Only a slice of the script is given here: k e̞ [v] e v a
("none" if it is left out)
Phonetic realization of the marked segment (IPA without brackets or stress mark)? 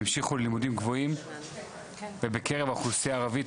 ʁ